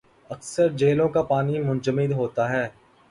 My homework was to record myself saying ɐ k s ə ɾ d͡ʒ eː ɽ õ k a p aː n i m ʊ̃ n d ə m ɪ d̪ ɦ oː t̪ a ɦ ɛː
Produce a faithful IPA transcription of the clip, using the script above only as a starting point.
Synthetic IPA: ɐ k s ə ɾ d͡ʒ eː l õ k a p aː n i m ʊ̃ n d͡ʒ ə m ɪ d̪ ɦ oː t̪ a ɦ ɛː

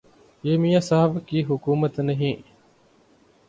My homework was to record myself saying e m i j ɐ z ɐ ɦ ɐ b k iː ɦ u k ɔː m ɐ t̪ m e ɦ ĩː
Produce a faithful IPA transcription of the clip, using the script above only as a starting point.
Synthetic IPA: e m i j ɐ s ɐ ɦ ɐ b k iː ɦ u k uː m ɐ t̪ n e ɦ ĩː

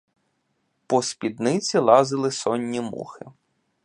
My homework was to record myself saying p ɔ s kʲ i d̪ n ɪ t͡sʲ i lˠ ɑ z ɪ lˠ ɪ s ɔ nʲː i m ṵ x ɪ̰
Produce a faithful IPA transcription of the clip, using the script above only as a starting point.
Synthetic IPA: p ɔ s pʲ i d̪ n ɪ t͡sʲ i lˠ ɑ z ɪ lˠ ɪ s ɔ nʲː i m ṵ x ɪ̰

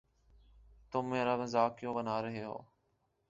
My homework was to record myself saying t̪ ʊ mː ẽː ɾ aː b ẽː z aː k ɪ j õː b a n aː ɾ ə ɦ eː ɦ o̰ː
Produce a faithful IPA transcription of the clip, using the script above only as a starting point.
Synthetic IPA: t̪ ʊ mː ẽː ɾ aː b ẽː z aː k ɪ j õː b ə n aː ɾ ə ɦ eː ɦ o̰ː

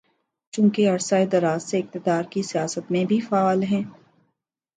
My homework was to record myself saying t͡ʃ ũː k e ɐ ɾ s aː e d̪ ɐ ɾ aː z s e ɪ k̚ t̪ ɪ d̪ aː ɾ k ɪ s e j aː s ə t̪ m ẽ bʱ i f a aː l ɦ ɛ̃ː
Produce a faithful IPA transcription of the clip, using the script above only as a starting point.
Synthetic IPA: t͡ʃ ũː k e ɐ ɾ s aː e d̪ ɐ ɾ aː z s e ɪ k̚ t̪ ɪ d̪ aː ɾ k i s i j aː s ə t̪ m ẽ bʱ i f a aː l ɦ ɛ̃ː

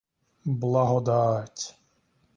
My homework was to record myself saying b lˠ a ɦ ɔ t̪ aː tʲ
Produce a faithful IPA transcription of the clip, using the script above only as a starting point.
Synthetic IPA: b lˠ a ɦ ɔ d̪ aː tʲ

